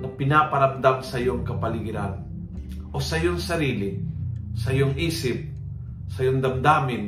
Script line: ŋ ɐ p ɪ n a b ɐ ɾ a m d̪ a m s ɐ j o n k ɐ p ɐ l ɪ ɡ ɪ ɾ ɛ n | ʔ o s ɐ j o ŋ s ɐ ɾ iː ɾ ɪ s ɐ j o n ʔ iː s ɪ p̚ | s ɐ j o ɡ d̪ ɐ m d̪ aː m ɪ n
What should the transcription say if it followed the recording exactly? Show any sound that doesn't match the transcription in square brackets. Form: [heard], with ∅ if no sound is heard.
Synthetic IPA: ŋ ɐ p ɪ n a [p] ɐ ɾ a m d̪ a m s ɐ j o [ŋ] k ɐ p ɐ l ɪ ɡ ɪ ɾ [a] n | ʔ o s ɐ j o ŋ s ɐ ɾ iː [l] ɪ s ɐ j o [ŋ] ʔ iː s ɪ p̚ | s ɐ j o [ŋ] d̪ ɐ m d̪ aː m ɪ n